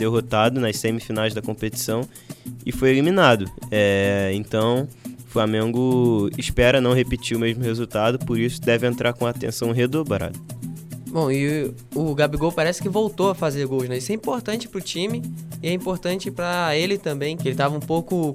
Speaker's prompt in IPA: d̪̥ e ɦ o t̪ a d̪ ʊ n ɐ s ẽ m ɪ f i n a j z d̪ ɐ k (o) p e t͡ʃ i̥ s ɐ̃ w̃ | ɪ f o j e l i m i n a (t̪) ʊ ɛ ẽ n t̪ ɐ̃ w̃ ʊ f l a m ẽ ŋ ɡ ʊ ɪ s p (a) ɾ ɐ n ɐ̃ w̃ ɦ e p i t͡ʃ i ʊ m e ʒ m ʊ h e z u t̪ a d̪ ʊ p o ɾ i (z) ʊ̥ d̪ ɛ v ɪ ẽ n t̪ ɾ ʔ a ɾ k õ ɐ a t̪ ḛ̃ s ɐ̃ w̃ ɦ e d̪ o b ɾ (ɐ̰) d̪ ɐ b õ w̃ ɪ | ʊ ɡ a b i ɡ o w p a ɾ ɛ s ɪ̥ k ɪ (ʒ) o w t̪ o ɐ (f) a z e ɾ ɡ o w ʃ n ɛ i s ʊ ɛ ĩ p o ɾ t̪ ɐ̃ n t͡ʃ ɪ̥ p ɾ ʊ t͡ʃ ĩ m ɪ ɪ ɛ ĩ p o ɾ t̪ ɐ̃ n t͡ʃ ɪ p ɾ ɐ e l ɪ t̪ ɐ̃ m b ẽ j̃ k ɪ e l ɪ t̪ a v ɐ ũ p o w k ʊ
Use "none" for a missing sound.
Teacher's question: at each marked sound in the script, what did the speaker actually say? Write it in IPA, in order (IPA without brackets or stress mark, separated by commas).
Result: õ, d̪, ɛ, s, a̰, v, f